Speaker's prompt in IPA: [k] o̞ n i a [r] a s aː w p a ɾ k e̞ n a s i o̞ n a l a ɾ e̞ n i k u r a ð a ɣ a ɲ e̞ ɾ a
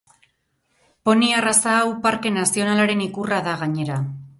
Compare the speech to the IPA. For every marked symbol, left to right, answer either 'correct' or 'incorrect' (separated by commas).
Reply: incorrect, correct